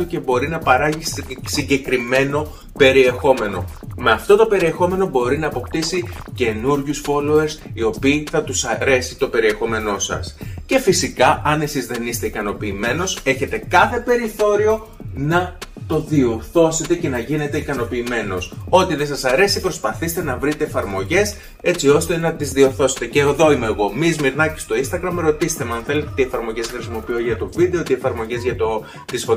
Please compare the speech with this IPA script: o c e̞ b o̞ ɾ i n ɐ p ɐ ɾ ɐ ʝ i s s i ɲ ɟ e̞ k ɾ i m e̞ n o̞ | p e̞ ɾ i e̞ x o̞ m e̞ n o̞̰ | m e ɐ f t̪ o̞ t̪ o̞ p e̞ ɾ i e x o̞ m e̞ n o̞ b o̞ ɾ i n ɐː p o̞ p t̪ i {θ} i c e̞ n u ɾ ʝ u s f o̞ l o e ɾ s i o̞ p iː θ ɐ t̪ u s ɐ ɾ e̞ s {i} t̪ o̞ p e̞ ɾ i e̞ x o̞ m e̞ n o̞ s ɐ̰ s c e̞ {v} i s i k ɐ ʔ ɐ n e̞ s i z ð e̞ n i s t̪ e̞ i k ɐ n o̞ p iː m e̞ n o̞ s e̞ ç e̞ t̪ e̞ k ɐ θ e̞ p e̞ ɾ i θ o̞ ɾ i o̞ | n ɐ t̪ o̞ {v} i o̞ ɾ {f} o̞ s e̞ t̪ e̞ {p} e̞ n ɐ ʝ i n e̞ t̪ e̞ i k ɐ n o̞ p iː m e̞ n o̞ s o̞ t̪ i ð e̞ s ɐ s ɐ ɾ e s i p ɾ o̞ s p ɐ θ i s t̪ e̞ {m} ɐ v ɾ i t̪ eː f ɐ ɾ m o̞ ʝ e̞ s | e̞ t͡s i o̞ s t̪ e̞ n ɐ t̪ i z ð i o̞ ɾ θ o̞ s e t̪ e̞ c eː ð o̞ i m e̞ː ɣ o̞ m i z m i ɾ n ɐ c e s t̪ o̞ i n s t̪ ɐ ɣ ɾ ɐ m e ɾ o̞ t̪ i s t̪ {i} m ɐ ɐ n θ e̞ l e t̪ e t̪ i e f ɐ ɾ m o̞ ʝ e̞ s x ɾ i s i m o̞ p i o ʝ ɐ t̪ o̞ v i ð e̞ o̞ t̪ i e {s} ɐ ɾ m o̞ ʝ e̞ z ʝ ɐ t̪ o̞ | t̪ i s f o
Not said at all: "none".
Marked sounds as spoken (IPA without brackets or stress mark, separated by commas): s, i, f, ð, θ, c, n, e, f